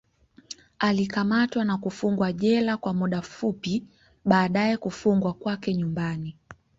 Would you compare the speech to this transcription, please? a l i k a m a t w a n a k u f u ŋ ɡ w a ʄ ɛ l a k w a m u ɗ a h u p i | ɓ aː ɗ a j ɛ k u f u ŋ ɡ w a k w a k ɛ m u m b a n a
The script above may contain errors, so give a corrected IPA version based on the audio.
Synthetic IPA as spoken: a l i k a m a t w a n a k u f u ŋ ɡ w a ʄ ɛ l a k w a m u ɗ a f u p i | ɓ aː ɗ a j ɛ k u f u ŋ ɡ w a k w a k ɛ ɲ u m b a n i